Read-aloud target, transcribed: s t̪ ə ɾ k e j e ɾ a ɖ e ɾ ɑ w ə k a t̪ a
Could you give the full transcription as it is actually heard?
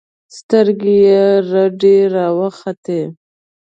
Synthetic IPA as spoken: s t̪ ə ɾ ɡ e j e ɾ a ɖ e ɾ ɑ w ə x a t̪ e